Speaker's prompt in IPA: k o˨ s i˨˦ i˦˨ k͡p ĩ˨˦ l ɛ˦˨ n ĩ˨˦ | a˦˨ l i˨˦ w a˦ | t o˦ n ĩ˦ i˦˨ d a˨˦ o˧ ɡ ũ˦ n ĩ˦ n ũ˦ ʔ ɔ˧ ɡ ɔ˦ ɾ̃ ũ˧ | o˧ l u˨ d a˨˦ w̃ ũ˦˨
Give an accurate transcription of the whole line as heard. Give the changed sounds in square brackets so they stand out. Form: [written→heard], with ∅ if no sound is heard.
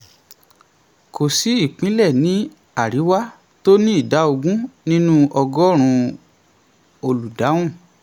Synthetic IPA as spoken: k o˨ s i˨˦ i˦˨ k͡p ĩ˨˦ l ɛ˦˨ n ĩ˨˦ | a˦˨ [l→ɾ] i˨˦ w a˦ | t o˦ n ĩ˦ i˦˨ d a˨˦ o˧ ɡ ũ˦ n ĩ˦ n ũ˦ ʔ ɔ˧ ɡ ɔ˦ ɾ̃ ũ˧ | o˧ l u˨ d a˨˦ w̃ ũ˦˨